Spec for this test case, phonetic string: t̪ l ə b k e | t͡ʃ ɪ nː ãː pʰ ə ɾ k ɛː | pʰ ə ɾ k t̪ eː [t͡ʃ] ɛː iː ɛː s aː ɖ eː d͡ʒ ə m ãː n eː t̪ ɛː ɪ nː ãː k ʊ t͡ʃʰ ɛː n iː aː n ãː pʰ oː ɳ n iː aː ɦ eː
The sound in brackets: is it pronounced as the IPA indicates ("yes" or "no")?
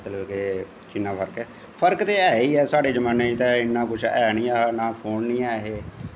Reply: no